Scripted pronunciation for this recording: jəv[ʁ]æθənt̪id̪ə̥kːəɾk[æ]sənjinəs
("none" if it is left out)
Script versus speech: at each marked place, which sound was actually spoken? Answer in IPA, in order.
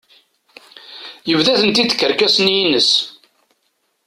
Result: ð, æ

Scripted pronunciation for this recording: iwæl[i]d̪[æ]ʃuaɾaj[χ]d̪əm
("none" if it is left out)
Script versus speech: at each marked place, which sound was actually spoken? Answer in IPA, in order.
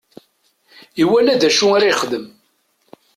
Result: æ, æ, χ

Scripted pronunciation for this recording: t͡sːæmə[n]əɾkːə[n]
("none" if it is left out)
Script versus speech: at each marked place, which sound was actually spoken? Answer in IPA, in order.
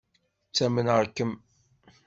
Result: n, m

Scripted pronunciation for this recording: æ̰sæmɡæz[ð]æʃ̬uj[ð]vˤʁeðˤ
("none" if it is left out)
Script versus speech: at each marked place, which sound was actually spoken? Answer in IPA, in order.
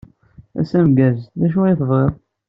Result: ð, θ

